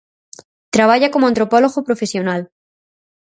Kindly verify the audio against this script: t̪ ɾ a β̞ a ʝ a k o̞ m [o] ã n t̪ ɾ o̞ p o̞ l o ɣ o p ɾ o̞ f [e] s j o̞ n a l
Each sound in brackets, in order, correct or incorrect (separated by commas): correct, correct